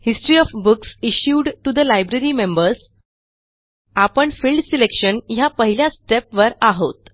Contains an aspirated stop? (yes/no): no